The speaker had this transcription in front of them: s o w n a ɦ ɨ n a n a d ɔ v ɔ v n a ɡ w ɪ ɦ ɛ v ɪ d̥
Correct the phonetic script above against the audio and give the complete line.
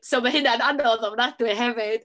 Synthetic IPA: s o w m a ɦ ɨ n a n a n ɔ ð ɔ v n a d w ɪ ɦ ɛ v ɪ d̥